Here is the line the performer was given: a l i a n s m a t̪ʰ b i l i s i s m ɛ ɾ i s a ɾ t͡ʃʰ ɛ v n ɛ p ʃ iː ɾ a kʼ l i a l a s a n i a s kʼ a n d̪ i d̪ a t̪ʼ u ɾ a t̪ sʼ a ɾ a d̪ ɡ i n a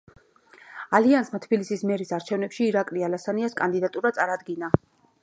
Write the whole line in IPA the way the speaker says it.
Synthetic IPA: a l i a n s m a t̪ʰ b i l i s i s m ɛ ɾ i s a ɾ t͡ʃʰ ɛ v n ɛ p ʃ iː ɾ a kʼ l i a l a s a n i a s kʼ a n d̪ i d̪ a t̪ʼ u ɾ a t̪ sʼ a ɾ a d̪ ɡ i n a